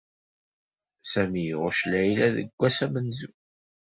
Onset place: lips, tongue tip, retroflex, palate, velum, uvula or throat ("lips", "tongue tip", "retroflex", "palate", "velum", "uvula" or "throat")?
tongue tip